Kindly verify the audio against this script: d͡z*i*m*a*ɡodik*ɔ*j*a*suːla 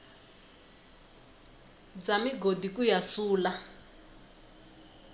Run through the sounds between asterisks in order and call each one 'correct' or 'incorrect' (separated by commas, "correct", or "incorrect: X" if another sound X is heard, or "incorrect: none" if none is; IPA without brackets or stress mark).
incorrect: a, incorrect: i, incorrect: u, correct